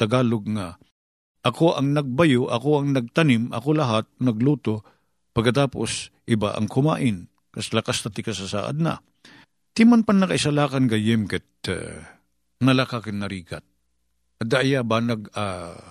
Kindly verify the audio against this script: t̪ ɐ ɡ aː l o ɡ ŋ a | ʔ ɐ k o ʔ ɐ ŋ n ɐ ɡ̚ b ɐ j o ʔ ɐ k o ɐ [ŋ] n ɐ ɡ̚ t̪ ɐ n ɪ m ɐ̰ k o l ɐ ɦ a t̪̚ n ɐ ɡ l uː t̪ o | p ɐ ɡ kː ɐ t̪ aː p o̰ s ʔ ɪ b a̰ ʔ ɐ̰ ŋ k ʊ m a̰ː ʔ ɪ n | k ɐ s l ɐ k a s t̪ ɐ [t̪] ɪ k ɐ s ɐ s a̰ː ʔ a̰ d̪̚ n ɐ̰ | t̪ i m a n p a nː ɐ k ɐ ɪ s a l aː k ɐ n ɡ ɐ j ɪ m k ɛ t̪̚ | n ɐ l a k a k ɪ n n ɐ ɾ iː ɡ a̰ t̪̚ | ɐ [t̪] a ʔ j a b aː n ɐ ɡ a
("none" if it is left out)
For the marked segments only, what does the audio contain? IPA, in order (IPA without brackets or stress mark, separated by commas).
ŋ, t̪, d̪